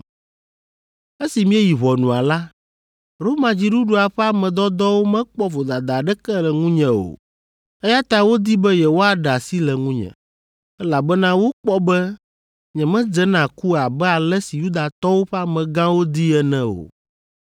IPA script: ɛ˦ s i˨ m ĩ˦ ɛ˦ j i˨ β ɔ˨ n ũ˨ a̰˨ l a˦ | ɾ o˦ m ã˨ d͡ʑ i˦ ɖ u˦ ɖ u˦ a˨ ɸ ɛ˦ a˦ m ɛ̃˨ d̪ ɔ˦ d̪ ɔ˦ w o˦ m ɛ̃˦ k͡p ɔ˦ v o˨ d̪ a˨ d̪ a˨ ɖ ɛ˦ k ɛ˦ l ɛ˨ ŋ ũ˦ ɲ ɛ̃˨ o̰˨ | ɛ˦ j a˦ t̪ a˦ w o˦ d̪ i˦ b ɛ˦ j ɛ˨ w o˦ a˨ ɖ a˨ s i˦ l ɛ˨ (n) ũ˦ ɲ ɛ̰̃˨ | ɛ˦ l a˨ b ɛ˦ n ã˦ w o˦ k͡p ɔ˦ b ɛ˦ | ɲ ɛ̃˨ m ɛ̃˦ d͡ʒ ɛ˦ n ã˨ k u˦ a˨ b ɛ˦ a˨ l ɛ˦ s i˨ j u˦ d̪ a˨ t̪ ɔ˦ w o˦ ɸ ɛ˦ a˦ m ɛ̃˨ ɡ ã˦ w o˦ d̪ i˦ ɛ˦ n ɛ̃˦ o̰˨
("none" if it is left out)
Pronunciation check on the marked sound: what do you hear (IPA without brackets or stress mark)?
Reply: ŋ